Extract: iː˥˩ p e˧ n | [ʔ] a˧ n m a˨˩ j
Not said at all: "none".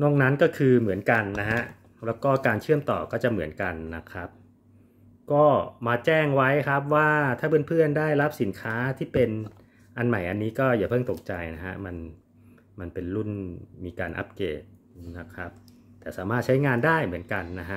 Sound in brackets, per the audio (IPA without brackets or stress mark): ʔ